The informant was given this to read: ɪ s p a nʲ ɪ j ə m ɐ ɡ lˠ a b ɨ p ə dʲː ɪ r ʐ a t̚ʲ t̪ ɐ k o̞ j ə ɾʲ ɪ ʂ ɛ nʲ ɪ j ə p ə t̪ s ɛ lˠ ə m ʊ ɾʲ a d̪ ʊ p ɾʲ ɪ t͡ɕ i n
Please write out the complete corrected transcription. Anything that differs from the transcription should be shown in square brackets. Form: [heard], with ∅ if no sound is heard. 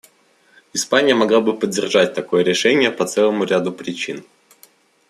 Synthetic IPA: ɪ s p a nʲ ɪ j ə m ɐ ɡ lˠ a b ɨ p ə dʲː ɪ r ʐ a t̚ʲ t̪ ɐ k o̞ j ə ɾʲ ɪ ʂ ɛ nʲ ɪ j ə p [ɐ] t̪ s ɛ lˠ ə m ʊ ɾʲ a d̪ ʊ p ɾʲ ɪ t͡ɕ i n